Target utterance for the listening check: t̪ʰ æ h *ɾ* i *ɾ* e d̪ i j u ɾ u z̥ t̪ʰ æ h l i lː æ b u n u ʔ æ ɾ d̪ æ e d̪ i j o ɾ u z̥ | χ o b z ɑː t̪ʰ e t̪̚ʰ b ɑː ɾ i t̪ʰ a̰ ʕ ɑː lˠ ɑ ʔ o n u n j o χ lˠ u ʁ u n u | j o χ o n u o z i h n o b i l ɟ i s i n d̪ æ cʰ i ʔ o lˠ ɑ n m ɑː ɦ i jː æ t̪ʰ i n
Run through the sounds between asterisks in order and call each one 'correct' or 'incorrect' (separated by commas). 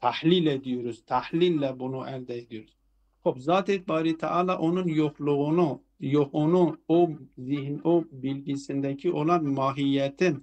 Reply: incorrect, incorrect